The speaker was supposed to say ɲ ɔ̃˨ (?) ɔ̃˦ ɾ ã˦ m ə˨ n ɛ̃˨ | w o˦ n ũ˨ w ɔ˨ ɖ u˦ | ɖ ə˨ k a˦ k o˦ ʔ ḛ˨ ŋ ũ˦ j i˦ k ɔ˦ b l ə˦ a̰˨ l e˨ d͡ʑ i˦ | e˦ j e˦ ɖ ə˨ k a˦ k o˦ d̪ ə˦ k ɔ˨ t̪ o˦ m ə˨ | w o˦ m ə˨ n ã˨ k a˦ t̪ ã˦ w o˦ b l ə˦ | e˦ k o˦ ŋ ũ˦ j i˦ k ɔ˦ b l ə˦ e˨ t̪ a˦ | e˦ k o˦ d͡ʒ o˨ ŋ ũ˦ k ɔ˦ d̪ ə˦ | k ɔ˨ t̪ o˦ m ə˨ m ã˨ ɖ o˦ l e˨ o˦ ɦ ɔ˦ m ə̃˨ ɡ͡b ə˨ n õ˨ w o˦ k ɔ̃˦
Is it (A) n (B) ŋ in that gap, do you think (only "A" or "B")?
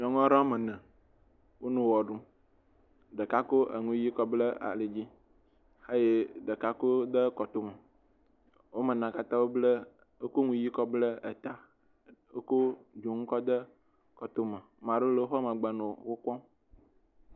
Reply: B